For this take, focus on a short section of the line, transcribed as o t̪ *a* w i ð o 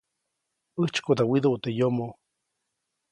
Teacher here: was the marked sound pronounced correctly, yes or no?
yes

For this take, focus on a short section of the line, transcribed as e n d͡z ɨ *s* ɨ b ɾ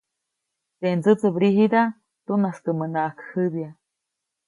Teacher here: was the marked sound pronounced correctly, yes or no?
no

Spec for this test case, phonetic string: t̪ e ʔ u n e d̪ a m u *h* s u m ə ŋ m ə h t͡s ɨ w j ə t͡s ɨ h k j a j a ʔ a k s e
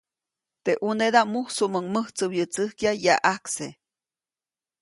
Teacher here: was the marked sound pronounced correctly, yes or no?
yes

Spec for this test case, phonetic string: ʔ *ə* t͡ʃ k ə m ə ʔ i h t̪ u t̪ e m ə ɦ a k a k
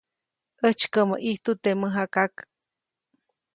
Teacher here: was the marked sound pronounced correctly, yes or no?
yes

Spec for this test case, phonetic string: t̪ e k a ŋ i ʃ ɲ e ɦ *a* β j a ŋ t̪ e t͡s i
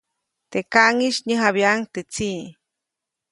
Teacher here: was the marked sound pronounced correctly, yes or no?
yes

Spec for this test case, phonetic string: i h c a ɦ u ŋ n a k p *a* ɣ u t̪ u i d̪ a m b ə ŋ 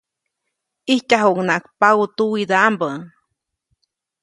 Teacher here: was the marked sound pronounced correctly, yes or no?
yes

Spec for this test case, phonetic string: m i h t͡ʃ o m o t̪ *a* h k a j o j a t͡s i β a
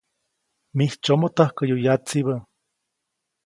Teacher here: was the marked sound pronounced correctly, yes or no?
yes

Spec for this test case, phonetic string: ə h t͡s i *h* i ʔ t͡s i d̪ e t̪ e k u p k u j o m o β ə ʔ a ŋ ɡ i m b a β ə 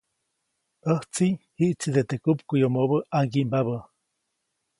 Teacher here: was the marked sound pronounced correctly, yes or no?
yes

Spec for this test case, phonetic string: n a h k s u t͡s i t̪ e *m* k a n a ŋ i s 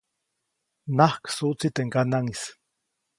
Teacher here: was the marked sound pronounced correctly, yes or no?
no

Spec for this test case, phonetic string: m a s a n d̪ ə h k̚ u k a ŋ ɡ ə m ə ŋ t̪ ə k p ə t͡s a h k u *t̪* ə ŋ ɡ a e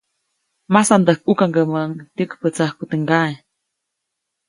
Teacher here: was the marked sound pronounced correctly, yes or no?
yes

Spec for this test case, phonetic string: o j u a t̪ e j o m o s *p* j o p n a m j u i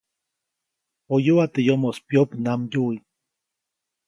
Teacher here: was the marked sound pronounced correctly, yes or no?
yes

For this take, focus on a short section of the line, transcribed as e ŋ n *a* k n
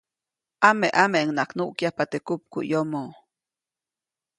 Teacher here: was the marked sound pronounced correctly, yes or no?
yes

